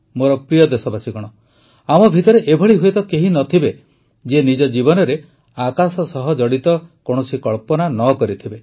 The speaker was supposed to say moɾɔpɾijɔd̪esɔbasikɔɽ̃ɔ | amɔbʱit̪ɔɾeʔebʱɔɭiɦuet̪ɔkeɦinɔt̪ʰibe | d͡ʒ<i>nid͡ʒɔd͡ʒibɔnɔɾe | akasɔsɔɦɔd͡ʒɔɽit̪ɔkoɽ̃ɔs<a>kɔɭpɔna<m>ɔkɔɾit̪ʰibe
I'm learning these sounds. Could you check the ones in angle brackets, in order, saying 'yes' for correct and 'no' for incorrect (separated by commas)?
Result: no, no, no